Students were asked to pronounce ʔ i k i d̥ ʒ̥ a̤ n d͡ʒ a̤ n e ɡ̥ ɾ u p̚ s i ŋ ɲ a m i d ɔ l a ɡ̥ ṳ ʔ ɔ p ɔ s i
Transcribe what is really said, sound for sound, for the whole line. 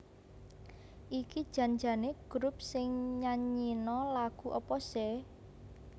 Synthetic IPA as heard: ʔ i k i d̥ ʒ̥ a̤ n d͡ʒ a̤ n e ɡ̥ ɾ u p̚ s ɪ ŋ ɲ a ɲ i n ɔ l a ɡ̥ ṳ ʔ ɔ p ɔ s ɛ